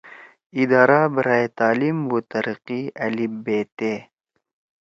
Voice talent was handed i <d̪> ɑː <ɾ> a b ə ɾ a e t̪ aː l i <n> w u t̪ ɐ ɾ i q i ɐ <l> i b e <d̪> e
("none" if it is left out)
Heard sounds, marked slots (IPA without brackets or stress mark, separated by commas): d̪, ɾ, m, l, t̪